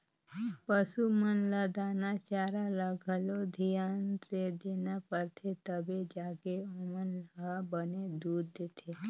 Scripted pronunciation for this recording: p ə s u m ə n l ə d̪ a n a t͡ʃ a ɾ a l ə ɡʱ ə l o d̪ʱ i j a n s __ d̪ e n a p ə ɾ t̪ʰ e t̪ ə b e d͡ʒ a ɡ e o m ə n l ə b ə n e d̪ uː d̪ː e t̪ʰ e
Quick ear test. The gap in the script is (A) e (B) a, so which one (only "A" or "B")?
A